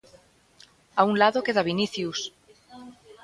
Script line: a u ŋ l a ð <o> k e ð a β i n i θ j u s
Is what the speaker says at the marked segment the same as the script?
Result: yes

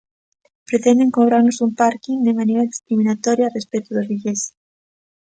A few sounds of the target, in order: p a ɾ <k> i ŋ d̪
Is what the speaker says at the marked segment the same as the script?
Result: yes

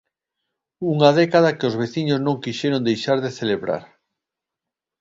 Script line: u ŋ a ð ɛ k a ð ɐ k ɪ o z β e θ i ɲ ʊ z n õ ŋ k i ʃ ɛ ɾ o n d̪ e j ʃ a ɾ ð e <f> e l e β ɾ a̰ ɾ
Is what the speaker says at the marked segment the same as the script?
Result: no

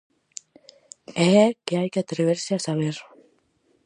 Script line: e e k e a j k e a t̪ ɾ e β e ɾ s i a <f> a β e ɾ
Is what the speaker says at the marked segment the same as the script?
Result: no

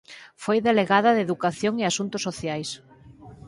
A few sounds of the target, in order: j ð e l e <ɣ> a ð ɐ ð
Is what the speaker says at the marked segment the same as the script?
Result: yes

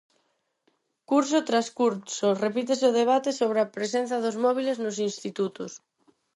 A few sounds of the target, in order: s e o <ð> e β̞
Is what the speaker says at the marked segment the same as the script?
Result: yes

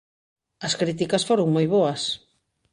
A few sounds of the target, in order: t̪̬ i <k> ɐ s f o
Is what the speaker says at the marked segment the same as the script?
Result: yes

